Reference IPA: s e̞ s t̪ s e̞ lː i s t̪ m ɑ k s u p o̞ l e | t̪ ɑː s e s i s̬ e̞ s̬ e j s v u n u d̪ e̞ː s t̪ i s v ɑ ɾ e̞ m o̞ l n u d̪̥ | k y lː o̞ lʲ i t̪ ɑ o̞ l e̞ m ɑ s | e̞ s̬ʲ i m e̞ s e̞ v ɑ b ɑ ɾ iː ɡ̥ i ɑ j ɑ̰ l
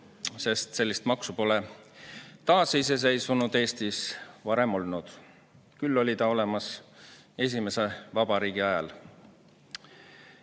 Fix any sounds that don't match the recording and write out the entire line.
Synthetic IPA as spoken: s e̞ s t̪ s e̞ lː i s t̪ m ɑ k s u p o̞ l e | t̪ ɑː s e i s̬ e̞ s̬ e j s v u n u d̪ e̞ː s t̪ i s v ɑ ɾ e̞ m o̞ l n u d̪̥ | k y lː o̞ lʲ i t̪ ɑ o̞ l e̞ m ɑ s | e̞ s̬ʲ i m e̞ s e̞ v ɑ b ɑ ɾ iː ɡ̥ i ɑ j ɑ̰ l